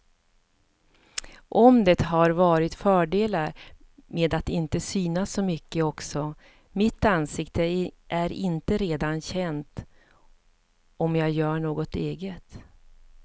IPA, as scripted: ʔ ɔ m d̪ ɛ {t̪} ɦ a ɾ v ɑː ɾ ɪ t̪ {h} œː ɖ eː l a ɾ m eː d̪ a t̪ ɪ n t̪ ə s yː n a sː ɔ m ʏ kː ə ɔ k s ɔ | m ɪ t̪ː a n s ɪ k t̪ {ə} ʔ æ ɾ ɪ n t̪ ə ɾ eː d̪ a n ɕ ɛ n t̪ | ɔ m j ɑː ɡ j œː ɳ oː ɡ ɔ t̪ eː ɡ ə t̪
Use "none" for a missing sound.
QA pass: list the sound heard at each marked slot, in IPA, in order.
t̪, f, ə

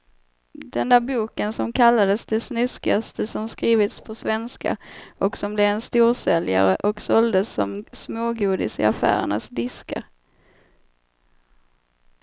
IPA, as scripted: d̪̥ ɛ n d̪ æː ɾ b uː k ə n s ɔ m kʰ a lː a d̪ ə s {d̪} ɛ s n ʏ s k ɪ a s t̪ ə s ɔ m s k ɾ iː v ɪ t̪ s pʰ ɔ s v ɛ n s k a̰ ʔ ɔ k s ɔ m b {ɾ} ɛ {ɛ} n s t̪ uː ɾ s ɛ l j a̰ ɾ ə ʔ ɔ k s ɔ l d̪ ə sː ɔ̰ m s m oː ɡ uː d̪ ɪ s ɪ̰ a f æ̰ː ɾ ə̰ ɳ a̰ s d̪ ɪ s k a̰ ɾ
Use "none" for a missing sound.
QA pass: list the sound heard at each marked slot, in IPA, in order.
d̪, l, ɛ

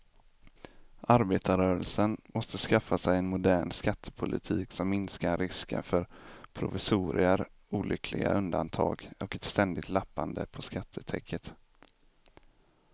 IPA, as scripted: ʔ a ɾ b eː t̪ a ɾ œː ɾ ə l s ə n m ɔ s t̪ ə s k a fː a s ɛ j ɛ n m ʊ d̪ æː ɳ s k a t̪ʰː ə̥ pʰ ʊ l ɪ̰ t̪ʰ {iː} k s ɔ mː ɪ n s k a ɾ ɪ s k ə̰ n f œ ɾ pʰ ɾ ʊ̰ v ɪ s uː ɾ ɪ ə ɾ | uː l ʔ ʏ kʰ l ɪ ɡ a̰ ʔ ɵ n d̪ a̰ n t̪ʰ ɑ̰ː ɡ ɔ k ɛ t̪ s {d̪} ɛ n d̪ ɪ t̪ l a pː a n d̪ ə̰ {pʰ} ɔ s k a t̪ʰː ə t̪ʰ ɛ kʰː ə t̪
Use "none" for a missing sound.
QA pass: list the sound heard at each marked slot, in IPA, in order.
iː, t̪, pʰ

